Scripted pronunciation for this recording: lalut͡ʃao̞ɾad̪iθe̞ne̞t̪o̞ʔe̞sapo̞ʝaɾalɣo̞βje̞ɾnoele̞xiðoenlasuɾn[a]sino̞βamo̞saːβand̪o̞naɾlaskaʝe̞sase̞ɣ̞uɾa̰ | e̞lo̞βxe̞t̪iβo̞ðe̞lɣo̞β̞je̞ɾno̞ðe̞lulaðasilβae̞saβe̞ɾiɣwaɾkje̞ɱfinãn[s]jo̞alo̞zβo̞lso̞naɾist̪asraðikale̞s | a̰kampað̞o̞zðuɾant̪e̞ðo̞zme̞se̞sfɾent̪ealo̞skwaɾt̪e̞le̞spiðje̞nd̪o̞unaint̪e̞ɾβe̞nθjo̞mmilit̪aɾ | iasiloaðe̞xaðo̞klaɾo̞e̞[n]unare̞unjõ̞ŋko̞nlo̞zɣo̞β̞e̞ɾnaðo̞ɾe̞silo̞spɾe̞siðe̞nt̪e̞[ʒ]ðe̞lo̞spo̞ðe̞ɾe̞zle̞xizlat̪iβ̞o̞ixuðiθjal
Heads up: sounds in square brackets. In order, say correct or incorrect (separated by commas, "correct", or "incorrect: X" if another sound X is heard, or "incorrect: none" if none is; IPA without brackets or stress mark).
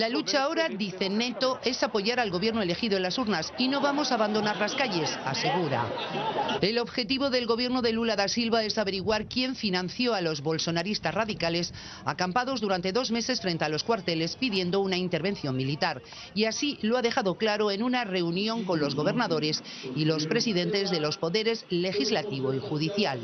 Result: correct, incorrect: θ, correct, incorrect: z